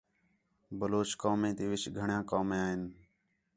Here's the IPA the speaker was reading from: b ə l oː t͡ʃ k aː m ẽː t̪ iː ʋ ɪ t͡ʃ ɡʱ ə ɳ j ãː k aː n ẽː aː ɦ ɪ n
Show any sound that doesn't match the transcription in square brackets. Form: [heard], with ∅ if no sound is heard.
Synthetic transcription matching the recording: b ə l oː t͡ʃ k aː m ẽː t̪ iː ʋ ɪ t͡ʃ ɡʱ ə ɳ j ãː k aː [m] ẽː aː ɦ ɪ n